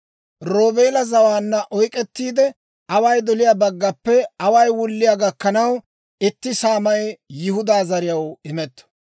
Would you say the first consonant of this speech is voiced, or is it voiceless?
voiced